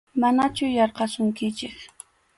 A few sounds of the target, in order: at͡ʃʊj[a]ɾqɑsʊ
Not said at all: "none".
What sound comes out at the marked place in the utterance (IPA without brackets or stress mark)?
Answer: ɑ